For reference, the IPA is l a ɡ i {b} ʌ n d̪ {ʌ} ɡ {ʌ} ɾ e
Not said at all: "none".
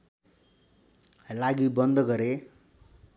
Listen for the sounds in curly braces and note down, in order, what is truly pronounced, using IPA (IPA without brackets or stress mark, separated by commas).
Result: b, ʌ, ʌ